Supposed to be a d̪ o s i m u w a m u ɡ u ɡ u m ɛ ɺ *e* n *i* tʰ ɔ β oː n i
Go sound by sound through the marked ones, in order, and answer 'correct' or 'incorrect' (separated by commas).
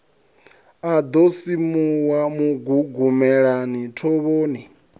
incorrect, correct